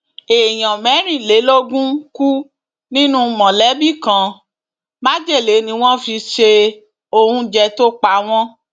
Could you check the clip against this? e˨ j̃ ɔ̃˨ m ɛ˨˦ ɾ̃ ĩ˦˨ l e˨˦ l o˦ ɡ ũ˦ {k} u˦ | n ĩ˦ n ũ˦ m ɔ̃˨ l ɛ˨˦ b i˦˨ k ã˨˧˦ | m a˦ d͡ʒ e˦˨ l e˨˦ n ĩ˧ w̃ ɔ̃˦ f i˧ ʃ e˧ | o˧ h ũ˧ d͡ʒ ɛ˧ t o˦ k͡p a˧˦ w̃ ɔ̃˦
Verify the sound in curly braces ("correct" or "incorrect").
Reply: correct